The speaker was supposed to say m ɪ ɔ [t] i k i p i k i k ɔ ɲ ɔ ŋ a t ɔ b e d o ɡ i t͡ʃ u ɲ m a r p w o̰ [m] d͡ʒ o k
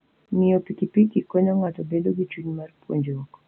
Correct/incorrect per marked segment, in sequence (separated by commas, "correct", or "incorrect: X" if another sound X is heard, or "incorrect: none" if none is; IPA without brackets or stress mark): incorrect: p, incorrect: ɲ